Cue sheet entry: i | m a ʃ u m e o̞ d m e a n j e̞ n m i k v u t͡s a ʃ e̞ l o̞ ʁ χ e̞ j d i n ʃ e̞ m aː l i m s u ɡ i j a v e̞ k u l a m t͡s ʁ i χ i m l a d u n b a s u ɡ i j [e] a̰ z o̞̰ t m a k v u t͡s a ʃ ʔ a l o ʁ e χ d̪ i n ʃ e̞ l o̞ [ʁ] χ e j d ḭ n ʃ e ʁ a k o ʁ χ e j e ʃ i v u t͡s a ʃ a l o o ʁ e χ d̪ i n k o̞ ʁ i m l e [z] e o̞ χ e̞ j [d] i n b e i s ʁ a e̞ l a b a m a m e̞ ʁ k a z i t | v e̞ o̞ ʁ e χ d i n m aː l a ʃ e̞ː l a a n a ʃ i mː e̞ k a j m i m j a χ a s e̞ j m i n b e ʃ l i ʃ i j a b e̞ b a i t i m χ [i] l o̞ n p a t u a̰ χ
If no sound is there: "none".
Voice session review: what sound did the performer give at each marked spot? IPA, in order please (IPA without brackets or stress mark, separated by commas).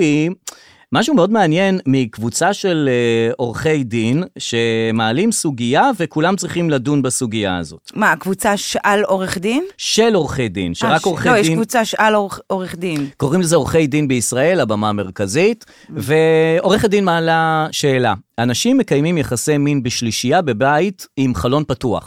a, ʁ, z, d, a